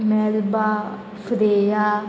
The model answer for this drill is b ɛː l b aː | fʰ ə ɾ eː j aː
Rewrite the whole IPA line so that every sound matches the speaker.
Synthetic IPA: m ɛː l b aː | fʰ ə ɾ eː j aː